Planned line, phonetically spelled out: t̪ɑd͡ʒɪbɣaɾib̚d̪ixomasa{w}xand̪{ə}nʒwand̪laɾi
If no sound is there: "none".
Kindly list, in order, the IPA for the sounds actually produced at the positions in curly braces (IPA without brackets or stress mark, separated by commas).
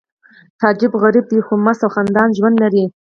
w, ɑ